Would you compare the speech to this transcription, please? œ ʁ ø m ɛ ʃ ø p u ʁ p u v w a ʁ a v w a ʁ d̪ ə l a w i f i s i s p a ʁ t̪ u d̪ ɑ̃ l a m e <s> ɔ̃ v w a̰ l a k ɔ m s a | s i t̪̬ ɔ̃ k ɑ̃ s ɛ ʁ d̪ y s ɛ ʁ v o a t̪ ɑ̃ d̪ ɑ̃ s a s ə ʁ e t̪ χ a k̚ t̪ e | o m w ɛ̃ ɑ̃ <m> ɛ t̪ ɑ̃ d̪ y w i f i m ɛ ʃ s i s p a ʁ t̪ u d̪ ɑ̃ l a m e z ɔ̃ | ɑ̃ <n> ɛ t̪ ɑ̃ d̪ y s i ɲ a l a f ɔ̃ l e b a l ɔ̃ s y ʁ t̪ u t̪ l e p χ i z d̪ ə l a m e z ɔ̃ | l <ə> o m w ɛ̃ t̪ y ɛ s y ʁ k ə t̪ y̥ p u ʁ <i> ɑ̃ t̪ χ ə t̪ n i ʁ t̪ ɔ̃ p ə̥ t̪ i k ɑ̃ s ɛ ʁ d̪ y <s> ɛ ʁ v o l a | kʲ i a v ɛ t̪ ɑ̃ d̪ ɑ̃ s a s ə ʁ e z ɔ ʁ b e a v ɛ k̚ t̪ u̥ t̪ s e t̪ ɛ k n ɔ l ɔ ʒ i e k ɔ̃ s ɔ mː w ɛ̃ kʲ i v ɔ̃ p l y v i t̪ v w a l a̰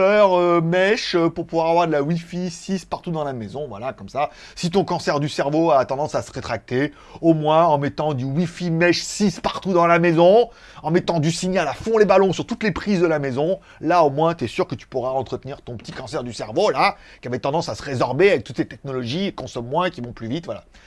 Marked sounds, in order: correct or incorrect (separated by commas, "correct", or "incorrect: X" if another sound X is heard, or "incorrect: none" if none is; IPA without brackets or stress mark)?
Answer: incorrect: z, correct, incorrect: m, incorrect: a, incorrect: a, correct